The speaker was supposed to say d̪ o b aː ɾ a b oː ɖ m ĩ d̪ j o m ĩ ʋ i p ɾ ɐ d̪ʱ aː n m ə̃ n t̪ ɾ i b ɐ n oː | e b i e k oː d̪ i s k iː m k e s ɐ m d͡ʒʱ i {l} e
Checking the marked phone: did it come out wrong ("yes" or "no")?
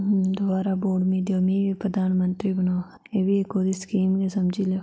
no